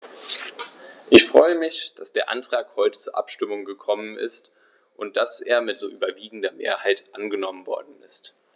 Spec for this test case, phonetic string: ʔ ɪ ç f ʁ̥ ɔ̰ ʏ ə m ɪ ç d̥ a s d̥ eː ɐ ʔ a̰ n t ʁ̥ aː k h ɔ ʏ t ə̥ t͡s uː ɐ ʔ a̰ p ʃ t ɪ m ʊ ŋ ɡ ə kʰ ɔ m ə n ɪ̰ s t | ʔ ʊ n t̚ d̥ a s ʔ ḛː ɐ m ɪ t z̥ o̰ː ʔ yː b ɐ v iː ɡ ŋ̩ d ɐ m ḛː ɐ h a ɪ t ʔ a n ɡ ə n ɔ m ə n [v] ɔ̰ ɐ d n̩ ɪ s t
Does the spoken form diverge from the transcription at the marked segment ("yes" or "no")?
no